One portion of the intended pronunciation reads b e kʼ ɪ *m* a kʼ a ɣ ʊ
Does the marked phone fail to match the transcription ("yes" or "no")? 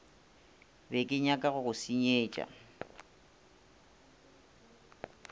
yes